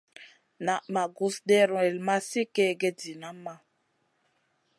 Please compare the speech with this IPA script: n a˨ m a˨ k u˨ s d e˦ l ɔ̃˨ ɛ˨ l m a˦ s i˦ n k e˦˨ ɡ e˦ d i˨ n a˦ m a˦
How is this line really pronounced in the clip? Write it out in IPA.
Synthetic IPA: n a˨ m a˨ ɡ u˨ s d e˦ ɾ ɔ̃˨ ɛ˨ l m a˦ s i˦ k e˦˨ ɡ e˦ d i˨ n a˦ m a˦